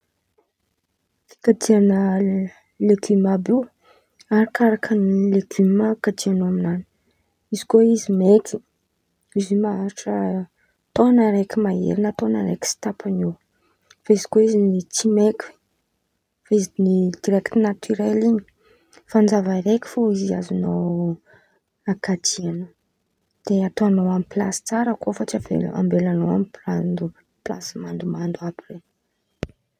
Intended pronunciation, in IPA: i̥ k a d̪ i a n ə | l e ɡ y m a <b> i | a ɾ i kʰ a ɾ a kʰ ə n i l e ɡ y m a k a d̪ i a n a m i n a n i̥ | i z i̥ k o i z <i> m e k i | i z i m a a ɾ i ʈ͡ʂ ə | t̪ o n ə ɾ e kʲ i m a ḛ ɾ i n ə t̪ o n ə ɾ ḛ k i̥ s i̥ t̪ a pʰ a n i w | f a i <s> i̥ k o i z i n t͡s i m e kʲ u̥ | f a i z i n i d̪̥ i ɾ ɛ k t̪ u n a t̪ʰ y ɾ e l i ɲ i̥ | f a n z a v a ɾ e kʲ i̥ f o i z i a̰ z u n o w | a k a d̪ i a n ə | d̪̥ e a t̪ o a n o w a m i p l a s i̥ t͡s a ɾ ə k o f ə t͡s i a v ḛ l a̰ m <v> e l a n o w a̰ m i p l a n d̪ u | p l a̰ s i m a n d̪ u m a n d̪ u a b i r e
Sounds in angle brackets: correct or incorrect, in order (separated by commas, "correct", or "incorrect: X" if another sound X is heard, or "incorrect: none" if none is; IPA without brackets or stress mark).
correct, correct, incorrect: z, incorrect: b